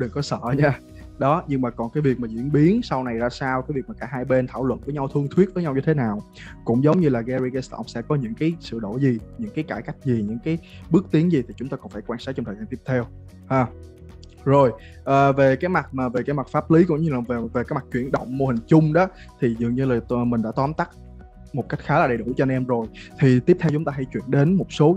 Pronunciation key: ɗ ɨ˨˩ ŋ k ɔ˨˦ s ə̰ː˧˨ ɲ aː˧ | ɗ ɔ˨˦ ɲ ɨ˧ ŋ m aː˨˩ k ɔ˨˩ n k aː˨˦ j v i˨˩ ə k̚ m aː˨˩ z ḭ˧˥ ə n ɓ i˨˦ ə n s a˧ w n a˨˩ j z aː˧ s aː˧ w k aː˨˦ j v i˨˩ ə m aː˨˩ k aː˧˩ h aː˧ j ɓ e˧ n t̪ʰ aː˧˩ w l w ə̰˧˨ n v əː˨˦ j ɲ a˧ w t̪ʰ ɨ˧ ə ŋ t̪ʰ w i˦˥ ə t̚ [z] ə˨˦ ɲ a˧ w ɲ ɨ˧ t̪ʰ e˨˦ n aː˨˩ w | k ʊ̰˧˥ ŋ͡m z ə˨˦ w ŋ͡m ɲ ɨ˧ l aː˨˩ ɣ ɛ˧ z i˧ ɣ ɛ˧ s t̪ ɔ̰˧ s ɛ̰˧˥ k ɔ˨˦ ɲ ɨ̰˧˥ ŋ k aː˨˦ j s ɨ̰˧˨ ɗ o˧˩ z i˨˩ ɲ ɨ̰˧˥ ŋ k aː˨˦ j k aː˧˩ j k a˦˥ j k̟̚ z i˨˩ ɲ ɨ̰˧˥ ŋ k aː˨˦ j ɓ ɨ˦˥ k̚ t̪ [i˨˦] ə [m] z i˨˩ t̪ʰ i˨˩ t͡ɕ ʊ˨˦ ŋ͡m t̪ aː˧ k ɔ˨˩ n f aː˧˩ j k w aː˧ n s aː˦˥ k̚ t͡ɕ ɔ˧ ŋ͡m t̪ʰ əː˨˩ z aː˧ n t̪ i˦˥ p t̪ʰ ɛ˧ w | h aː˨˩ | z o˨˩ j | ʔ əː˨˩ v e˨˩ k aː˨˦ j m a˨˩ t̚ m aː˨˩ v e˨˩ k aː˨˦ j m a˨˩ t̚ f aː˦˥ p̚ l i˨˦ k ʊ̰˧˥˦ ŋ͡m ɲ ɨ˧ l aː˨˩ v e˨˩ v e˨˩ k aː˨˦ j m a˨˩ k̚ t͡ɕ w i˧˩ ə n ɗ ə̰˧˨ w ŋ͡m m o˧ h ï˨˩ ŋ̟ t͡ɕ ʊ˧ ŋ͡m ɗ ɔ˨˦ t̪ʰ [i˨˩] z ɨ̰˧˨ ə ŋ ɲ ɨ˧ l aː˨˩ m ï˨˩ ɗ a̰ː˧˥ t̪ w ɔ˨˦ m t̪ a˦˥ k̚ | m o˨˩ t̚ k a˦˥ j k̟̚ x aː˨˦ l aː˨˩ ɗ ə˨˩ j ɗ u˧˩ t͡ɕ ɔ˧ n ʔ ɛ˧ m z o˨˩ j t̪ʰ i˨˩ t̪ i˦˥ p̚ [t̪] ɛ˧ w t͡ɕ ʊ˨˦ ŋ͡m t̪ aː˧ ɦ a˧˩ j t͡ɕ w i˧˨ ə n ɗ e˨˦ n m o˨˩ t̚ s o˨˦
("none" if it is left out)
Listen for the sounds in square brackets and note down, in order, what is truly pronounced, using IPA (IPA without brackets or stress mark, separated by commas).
v, i˨˦, ŋ, i˨˩, t̪ʰ